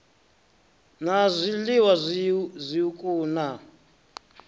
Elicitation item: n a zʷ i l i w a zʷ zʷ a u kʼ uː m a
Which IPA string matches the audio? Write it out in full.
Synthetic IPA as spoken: n a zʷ i l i w a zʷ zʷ i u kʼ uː n a